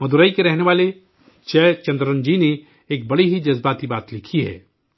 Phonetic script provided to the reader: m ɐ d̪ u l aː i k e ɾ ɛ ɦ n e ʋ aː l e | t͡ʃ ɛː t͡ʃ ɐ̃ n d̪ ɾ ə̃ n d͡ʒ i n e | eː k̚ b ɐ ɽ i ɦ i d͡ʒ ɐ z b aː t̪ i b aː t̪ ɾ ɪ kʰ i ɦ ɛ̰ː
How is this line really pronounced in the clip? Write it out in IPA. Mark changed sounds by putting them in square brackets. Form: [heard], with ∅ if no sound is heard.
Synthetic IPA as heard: m ɐ d̪ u [ɾ] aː i k e ɾ ɛ ɦ n e ʋ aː l e | t͡ʃ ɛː t͡ʃ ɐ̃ n d̪ ɾ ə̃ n d͡ʒ i n e | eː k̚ b ɐ ɽ i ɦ i d͡ʒ ɐ z b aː t̪ i b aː t̪ [l] ɪ kʰ i ɦ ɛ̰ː

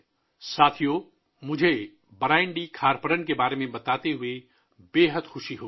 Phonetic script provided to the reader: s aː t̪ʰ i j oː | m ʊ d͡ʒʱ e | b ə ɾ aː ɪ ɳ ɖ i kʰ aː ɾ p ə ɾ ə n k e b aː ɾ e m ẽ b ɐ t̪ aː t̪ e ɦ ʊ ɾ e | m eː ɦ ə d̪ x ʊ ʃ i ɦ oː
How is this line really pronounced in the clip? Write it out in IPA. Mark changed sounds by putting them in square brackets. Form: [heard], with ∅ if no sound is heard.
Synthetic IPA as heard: s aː t̪ʰ i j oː | m ʊ d͡ʒʱ e | b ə ɾ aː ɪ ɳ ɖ i kʰ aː ɾ p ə ɾ ə n k e b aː ɾ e m ẽ b ɐ t̪ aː t̪ e ɦ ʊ [∅] e | [b] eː ɦ ə d̪ x ʊ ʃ i ɦ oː

